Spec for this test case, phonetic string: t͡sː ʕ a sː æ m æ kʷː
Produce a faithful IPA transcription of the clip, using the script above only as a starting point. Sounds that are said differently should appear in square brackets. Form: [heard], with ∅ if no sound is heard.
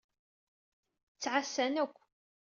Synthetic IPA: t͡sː ʕ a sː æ [n] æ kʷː